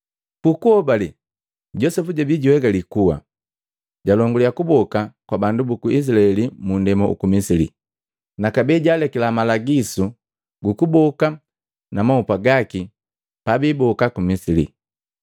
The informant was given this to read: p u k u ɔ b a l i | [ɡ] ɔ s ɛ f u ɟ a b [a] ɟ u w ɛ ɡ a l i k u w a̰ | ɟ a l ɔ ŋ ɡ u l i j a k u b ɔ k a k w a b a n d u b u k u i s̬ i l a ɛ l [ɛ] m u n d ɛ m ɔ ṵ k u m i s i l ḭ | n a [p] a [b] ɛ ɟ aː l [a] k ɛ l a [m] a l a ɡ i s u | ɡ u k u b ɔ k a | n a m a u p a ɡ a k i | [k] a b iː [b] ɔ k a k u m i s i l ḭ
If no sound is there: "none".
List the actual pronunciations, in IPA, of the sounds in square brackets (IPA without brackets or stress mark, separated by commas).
ɟ, i, i, k, b, ɛ, m, p, b